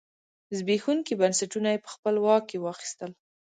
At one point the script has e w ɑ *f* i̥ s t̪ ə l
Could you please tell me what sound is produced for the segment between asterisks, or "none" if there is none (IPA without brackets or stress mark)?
x